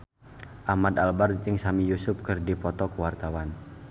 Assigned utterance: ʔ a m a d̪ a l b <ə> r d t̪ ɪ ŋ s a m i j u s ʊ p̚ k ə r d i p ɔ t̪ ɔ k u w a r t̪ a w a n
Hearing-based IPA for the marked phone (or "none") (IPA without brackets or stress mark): a